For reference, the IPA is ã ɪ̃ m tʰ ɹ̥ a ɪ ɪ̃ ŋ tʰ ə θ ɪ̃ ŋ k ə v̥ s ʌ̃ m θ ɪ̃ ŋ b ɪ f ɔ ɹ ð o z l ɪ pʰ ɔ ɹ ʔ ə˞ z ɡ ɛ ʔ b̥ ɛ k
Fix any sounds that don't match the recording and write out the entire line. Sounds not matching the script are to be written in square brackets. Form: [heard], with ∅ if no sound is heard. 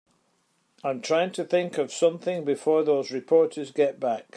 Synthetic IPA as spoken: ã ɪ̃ m tʰ ɹ̥ a ɪ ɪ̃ ŋ tʰ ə θ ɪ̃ ŋ k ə v̥ s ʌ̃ m θ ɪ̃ ŋ b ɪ f ɔ ɹ ð o z [ɹ] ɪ pʰ ɔ ɹ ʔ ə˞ z ɡ ɛ ʔ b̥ [a] k